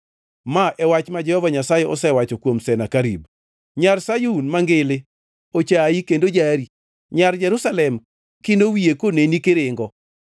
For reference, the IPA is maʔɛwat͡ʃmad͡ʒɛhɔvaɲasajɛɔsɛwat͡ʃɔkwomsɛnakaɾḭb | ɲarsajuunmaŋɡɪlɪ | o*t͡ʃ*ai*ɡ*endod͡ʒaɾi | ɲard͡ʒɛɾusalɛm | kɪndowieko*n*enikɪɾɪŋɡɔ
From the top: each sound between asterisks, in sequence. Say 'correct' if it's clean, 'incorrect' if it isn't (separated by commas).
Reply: correct, incorrect, correct